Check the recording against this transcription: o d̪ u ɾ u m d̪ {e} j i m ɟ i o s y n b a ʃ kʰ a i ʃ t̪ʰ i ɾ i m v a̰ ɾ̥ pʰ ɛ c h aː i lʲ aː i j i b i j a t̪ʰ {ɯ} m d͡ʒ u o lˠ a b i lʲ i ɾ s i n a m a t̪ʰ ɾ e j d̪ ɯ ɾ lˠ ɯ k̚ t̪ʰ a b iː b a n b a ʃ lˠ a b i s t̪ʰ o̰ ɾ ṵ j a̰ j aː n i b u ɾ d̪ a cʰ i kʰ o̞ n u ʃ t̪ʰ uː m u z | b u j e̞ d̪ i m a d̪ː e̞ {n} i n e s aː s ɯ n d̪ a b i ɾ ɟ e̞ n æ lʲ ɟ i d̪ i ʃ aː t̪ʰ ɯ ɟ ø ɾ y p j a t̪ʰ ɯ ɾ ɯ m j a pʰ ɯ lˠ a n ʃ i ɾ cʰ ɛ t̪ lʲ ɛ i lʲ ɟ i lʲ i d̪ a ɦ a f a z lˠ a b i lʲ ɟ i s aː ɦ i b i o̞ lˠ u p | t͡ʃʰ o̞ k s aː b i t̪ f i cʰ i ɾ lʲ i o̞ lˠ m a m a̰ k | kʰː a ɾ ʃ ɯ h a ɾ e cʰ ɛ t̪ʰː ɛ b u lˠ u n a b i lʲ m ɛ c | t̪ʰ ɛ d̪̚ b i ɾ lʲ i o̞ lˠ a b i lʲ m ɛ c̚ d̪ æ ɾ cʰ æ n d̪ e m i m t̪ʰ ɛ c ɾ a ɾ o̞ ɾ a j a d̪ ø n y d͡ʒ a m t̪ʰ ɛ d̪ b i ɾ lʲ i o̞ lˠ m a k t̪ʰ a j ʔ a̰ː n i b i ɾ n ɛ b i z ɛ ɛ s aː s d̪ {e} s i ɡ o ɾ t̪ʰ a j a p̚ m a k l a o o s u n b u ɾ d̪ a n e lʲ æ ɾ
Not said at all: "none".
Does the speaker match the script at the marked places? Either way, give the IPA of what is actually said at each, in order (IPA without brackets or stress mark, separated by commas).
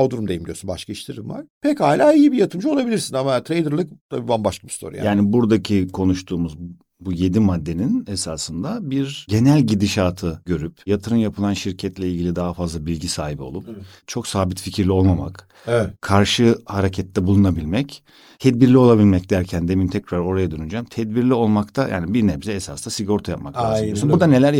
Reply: e, ɯ, n, a